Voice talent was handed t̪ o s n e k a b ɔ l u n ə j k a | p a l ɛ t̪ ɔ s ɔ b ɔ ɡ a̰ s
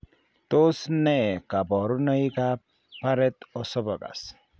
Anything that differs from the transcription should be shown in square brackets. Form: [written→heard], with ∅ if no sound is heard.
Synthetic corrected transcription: t̪ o s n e k a b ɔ [l→ɾ] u n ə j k a | p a [l→ɾ] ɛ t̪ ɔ s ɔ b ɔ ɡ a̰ s